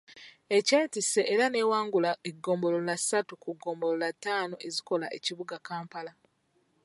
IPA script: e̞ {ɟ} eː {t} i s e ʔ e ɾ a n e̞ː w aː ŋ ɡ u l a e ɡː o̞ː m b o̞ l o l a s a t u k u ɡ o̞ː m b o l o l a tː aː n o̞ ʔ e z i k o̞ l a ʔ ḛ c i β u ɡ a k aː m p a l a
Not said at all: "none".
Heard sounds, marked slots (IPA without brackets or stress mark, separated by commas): c, t